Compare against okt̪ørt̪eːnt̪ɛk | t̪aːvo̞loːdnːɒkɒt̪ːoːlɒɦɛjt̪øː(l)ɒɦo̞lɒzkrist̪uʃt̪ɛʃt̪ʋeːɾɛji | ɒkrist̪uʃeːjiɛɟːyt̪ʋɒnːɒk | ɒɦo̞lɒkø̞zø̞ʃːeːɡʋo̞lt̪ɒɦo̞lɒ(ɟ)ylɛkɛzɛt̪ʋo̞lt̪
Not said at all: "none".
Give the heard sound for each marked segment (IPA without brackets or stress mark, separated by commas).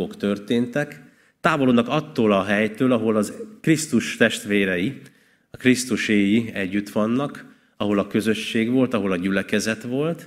l, ɟ